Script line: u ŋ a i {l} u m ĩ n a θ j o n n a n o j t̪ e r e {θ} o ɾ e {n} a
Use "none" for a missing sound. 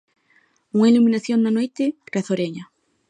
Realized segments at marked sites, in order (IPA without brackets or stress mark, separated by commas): l, θ, ɲ